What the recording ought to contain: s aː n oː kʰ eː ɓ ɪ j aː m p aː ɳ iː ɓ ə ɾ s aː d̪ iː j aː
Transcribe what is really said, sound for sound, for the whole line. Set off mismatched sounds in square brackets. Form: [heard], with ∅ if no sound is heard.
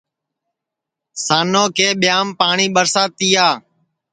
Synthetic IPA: s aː n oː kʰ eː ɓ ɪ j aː m p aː ɳ iː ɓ ə ɾ s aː [t̪] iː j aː